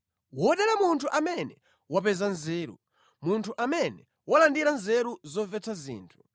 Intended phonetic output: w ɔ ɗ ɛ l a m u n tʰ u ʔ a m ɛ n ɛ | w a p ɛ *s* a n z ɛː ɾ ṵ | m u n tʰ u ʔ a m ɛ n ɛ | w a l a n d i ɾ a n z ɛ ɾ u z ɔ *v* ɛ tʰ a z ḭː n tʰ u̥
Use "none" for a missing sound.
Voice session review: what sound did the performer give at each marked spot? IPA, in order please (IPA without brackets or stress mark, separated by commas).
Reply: z, v